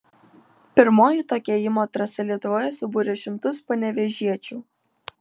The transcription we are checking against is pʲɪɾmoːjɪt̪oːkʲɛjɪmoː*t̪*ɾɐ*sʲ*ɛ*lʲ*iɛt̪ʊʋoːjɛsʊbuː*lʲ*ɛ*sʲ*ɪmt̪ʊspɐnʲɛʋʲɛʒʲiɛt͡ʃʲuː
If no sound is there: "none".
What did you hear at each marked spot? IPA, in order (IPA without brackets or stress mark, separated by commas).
t̪, sʲ, lʲ, ɾʲ, ʃʲ